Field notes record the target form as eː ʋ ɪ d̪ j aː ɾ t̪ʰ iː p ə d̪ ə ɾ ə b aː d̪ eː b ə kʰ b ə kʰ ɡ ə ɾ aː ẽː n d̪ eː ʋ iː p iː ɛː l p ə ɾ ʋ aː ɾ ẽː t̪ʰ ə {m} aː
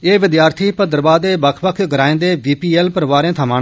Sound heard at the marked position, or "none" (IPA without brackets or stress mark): m